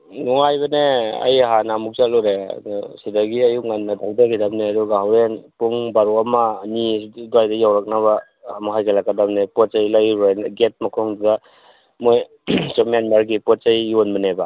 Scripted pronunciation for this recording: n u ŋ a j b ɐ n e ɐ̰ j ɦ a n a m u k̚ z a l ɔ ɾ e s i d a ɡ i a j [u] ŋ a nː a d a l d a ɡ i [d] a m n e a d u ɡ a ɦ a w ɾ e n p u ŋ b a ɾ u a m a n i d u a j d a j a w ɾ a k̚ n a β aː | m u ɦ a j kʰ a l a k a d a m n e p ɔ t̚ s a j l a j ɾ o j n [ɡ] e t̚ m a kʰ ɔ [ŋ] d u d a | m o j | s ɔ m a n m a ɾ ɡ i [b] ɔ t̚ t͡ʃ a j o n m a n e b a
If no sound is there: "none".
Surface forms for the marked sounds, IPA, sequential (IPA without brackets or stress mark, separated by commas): u, d, ɡ, ŋ, p